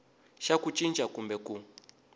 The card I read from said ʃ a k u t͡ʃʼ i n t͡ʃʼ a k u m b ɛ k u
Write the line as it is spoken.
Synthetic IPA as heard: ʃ a k u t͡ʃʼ i n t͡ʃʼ a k u m b ɛ k u